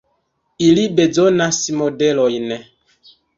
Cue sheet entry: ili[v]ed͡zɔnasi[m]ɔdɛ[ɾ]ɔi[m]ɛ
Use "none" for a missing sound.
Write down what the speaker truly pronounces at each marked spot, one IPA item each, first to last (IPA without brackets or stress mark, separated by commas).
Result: b, m, l, n